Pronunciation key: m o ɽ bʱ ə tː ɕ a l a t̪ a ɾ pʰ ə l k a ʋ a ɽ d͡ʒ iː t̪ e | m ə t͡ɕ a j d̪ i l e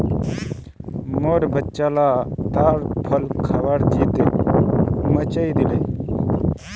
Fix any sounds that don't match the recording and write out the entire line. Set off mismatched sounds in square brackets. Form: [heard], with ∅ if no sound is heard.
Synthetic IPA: m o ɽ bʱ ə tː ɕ a l a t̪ a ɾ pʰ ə l [kʰ] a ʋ a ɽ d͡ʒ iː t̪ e | m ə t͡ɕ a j d̪ i l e